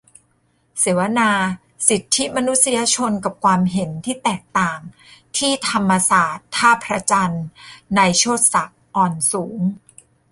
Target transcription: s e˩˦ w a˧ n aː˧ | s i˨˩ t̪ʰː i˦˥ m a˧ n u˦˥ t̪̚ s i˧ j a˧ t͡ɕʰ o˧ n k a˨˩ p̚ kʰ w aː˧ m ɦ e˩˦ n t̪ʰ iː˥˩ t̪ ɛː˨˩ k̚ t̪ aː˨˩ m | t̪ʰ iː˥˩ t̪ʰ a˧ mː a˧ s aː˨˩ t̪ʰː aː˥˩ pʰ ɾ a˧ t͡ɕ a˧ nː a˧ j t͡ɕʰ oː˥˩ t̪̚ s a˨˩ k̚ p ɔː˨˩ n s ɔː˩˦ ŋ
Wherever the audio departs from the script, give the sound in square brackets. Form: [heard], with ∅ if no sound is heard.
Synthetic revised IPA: s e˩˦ w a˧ n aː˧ | s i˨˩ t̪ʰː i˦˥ m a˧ n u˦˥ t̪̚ s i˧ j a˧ t͡ɕʰ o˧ n k a˨˩ p̚ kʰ w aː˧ m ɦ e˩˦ n t̪ʰ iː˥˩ t̪ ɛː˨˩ k̚ t̪ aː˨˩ [ŋ] | t̪ʰ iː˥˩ t̪ʰ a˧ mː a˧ s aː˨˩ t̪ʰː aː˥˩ pʰ ɾ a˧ t͡ɕ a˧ nː a˧ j t͡ɕʰ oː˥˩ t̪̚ s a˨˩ k̚ [ʔ] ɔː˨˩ n s [uː˩˦] ŋ